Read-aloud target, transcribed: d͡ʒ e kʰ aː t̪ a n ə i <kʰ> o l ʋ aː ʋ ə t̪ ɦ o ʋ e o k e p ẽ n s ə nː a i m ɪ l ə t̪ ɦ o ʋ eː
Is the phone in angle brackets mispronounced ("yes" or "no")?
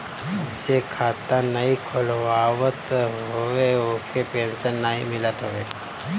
no